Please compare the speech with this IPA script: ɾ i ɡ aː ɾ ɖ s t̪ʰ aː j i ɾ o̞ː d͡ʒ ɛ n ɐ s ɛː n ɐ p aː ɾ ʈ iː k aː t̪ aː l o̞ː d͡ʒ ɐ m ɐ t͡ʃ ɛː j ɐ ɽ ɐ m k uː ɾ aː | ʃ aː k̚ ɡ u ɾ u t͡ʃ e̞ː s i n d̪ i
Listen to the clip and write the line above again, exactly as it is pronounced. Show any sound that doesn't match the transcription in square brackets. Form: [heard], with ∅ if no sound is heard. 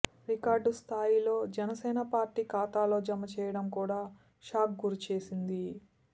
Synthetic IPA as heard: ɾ i [k] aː ɾ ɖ s t̪ʰ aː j i [l] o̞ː d͡ʒ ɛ n ɐ s ɛː n ɐ p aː ɾ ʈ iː k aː t̪ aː l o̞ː d͡ʒ ɐ m ɐ t͡ʃ ɛː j ɐ ɽ ɐ m k uː [ɽ] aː | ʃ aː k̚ ɡ u ɾ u t͡ʃ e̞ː s i n d̪ i